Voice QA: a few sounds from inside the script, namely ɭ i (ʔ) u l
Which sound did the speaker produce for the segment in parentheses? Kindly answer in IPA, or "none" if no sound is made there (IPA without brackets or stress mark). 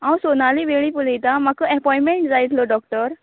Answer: p